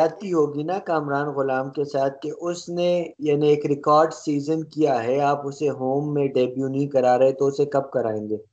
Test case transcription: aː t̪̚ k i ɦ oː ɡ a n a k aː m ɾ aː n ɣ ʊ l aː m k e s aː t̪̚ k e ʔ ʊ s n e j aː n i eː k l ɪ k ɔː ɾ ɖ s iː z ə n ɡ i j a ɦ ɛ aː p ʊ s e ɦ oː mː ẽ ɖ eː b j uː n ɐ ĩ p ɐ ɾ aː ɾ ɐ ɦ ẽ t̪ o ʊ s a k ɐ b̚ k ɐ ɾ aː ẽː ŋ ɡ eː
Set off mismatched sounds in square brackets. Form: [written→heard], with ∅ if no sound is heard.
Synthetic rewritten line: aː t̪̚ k i ɦ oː ɡ [a→i] n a k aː m ɾ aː n ɣ ʊ l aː m k e s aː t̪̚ k e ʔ ʊ s n e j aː n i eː k [l→ɾ] ɪ k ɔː ɾ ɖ s iː z ə n [ɡ→k] i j a ɦ ɛ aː p ʊ s e ɦ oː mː ẽ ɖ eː b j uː n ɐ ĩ [p→k] ɐ ɾ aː ɾ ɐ ɦ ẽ t̪ o ʊ s [a→e] k ɐ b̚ k ɐ ɾ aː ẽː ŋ ɡ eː